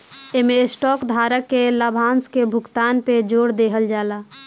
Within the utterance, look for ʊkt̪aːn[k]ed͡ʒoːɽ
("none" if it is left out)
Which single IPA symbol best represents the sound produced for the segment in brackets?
p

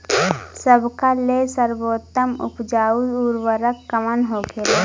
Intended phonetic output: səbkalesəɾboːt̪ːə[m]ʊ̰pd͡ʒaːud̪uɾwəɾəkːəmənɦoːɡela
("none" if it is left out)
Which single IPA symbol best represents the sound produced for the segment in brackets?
m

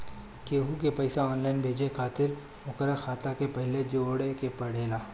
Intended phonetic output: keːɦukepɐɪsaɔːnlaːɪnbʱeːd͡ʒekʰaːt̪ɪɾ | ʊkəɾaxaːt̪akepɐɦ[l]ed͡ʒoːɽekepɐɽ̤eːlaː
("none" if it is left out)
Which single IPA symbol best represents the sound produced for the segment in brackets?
l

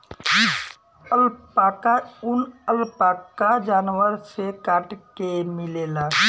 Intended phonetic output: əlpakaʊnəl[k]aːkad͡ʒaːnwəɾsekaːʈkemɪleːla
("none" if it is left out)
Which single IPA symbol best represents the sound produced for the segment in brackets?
p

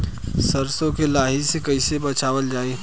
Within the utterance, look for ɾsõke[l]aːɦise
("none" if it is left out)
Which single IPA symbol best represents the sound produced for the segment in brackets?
l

